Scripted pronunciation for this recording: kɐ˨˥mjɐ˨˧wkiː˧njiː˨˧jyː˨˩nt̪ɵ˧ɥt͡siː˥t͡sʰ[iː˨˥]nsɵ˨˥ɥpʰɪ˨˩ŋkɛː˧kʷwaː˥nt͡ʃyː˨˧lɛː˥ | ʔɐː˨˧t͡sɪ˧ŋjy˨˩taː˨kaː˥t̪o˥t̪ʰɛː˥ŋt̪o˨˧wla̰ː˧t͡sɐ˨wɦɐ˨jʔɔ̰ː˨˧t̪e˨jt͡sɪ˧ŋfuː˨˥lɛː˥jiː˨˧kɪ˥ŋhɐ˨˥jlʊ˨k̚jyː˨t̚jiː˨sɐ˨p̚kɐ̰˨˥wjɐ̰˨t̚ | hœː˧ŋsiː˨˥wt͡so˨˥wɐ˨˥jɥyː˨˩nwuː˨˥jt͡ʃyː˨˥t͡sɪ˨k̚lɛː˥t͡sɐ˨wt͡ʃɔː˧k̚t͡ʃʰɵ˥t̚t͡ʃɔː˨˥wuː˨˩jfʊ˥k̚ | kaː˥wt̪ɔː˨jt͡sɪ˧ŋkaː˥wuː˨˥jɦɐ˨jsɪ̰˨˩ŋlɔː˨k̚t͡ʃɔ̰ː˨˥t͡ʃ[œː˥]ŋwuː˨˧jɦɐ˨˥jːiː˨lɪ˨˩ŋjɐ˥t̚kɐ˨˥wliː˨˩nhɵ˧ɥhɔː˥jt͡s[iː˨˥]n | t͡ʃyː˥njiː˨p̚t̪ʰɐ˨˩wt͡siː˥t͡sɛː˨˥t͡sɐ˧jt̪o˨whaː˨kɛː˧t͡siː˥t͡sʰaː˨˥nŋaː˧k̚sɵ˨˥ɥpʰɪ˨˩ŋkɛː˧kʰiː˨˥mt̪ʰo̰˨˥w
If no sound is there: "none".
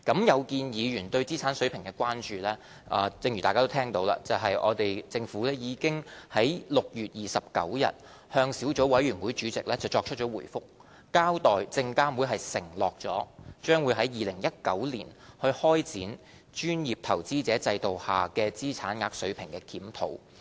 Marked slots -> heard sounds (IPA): aː˨˥, œː˥, iː˨˥

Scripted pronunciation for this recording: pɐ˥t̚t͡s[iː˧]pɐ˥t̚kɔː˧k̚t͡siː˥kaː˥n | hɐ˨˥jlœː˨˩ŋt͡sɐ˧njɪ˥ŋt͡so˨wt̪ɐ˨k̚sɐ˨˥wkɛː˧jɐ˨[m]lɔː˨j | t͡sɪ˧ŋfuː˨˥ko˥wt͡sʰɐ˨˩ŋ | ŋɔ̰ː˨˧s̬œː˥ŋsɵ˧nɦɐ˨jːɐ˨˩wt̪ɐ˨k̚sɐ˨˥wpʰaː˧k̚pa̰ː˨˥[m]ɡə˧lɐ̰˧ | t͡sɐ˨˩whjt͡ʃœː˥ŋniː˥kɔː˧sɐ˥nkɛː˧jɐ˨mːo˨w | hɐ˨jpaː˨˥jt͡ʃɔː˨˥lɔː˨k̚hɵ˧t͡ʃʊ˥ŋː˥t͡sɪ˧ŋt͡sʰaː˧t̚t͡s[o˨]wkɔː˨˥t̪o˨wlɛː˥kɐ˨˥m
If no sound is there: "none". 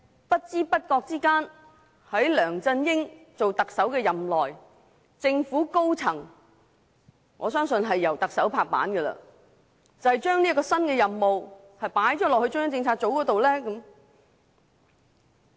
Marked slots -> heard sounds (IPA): iː˥, m, n, o˨˥

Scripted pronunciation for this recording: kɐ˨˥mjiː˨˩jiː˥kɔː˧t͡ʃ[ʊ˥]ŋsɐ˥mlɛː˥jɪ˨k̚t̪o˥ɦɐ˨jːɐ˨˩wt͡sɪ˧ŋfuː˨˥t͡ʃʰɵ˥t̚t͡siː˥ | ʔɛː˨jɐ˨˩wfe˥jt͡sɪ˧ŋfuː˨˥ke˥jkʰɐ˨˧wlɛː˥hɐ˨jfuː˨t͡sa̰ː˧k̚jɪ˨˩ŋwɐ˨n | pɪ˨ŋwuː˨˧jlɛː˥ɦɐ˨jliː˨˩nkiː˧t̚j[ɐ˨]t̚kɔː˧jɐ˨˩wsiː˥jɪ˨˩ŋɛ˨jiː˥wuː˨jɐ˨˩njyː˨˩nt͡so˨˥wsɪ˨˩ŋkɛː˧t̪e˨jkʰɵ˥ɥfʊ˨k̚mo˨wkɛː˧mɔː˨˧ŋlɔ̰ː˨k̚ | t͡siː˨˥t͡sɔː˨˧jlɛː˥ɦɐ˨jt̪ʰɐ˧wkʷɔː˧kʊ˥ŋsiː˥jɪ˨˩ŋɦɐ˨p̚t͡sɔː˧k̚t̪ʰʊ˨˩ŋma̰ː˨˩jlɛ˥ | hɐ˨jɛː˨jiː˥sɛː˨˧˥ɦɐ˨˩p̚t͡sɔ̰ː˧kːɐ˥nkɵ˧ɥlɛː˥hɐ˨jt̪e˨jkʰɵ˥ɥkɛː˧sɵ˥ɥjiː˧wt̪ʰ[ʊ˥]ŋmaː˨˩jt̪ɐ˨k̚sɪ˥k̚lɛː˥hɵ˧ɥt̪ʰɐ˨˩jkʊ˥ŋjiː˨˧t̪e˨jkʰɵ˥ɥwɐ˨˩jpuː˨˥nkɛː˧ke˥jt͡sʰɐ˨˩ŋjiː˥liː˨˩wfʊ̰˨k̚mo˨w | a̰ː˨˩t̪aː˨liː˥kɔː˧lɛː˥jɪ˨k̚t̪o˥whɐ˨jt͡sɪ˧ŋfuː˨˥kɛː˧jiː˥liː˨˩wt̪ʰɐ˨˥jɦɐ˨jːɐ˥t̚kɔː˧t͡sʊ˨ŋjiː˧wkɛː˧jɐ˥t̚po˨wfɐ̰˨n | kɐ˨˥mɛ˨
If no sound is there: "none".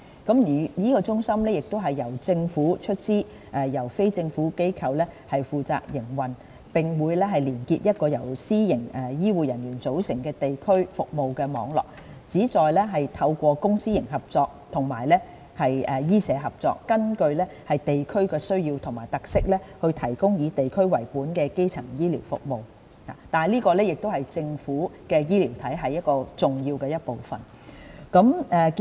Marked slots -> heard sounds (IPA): ʊ˥, ɐ˥, ʊ˨˩

